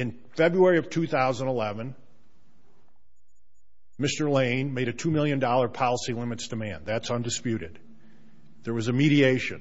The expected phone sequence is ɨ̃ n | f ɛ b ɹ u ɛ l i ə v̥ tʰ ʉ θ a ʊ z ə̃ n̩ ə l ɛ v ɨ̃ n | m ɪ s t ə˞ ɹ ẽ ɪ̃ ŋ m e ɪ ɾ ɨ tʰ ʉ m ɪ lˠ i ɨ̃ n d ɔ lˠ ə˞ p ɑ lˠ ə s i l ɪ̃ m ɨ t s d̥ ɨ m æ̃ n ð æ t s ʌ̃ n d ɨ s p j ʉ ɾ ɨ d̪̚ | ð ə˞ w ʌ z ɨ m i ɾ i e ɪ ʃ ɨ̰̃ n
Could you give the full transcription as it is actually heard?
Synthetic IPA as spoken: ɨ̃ n | f ɛ b ɹ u ɛ ɹ i ʌ v̥ tʰ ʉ θ a ʊ z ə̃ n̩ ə l ɛ v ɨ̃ n | m ɪ s t ə˞ l ẽ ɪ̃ n m e ɪ ɾ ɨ tʰ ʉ m ɪ lˠ j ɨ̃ n d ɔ lˠ ə˞ pʰ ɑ lˠ ə s i l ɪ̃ m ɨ t s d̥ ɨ m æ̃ n ð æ t s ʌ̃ n d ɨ s p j ʉ ɾ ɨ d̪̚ | ð ə˞ w ʌ z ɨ m i ɾ i e ɪ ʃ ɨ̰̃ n